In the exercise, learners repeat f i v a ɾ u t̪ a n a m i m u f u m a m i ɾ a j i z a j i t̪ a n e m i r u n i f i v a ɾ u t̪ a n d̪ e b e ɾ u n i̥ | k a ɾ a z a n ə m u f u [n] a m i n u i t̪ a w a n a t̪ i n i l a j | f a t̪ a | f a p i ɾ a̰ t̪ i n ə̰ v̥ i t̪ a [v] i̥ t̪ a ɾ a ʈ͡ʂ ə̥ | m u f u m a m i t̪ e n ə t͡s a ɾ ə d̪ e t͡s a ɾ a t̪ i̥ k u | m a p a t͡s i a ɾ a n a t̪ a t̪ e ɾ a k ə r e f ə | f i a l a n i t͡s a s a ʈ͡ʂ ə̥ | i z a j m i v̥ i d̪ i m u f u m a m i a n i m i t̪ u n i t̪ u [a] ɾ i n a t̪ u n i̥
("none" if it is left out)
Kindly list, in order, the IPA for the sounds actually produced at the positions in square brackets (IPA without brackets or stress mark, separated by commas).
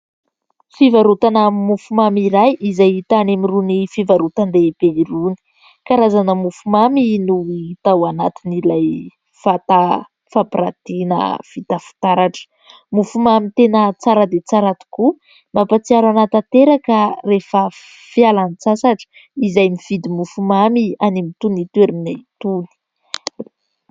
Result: m, f, e